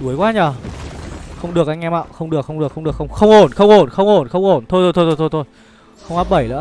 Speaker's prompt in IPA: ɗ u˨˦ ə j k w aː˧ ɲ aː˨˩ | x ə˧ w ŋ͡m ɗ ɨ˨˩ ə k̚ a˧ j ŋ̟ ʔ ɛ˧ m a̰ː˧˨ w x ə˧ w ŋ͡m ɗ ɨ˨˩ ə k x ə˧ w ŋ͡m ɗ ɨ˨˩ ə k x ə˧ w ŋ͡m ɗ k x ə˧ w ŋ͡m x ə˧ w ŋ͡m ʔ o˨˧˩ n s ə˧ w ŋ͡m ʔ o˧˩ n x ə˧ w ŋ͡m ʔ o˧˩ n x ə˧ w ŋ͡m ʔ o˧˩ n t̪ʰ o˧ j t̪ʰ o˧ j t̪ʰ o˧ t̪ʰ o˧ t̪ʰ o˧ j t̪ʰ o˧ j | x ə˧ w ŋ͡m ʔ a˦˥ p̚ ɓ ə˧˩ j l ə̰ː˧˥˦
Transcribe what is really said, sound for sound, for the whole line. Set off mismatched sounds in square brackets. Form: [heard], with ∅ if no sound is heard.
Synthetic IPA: ɗ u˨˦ ə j k w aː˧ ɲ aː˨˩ | x ə˧ w ŋ͡m ɗ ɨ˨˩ ə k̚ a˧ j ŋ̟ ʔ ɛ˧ m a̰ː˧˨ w x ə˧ w ŋ͡m ɗ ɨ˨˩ ə k x ə˧ w ŋ͡m ɗ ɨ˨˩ ə k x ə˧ w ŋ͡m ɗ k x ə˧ w ŋ͡m x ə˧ w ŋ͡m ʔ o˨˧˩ n [x] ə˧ w ŋ͡m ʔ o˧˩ n x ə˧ w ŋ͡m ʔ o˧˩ n x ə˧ w ŋ͡m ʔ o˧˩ n t̪ʰ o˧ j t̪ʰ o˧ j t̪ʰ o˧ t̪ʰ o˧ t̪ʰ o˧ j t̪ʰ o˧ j | x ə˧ w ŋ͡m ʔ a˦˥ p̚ ɓ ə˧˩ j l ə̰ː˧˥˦